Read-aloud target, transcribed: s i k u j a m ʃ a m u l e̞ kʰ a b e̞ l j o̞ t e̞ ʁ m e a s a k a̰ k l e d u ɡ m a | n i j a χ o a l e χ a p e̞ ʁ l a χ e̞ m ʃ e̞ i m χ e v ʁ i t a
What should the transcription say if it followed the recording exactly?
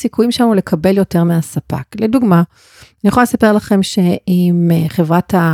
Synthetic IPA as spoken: s i k u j i m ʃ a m u l e̞ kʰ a b e̞ l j o̞ t e̞ ʁ m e a s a p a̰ k l e d u ɡ m a | n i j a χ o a l e s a p e̞ ʁ l a χ e̞ m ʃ e̞ i m χ e v ʁ a t a